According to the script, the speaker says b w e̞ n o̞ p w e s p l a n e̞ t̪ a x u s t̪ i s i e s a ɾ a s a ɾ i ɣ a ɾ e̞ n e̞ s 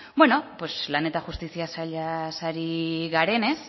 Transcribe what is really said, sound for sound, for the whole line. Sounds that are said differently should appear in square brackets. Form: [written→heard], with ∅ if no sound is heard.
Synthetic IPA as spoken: b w e̞ n o̞ p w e s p l a n e̞ t̪ a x u s t̪ i s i [e→a] s a [ɾ→ʎ] a s a ɾ i ɣ a ɾ e̞ n e̞ s